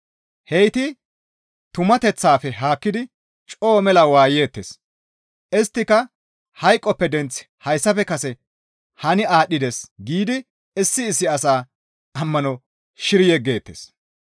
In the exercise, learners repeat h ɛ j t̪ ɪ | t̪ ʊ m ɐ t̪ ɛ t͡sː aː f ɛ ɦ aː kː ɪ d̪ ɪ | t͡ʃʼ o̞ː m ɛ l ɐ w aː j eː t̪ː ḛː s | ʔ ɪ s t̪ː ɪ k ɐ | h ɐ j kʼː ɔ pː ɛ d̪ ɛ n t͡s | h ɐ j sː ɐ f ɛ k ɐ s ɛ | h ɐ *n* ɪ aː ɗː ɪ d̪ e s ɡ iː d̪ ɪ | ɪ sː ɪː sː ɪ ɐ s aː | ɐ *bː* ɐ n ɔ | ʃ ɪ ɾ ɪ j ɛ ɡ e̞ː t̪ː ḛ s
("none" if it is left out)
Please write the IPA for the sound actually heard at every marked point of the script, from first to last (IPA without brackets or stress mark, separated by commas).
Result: n, mː